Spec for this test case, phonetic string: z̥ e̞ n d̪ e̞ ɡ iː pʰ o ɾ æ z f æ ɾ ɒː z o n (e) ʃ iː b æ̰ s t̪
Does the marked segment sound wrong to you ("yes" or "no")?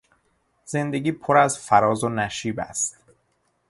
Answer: yes